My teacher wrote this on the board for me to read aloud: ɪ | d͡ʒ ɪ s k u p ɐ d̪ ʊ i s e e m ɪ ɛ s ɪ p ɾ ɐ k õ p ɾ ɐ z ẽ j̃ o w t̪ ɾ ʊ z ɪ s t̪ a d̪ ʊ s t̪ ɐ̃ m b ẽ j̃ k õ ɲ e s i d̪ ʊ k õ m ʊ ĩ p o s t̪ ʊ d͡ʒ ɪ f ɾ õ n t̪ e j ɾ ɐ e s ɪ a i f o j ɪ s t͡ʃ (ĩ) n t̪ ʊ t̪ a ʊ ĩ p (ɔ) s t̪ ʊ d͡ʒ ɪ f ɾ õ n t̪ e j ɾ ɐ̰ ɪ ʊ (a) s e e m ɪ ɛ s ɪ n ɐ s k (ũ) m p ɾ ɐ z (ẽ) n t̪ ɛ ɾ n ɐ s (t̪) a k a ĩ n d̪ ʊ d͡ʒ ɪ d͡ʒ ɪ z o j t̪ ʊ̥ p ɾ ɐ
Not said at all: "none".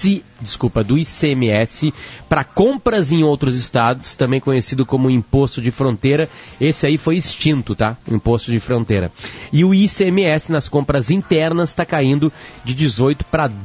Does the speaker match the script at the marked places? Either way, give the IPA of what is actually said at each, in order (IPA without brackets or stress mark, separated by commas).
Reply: ĩ, o, i, õ, ĩ, t̪